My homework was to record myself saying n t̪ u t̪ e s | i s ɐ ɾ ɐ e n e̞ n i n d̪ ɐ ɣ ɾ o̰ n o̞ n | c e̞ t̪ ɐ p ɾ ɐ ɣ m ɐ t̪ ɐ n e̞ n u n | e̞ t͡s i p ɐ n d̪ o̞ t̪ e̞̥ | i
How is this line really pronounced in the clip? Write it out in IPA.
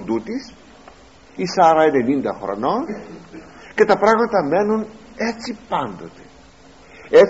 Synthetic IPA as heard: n d̪ u t̪ i s | i s ɐ ɾ ɐ e n e̞ n i n d̪ ɐ x ɾ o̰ n o̞ n | c e̞ t̪ ɐ p ɾ ɐ ɣ m ɐ t̪ ɐ m e̞ n u n | e̞ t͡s i p ɐ n d̪ o̞ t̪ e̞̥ | e